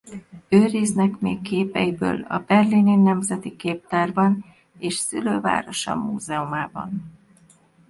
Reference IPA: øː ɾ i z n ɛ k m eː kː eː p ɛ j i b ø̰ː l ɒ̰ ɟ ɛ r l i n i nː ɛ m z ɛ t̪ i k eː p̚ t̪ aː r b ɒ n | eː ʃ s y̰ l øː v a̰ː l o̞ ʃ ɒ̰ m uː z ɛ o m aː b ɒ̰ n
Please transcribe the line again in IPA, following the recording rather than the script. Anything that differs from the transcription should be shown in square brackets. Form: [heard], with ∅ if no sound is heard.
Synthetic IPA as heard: øː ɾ i z n ɛ k m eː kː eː p ɛ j i b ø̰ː l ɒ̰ [b] ɛ r l i n i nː ɛ m z ɛ t̪ i k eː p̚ t̪ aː r b ɒ n | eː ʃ s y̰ l øː v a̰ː [ɾ] o̞ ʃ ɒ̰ m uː z ɛ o m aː b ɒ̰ n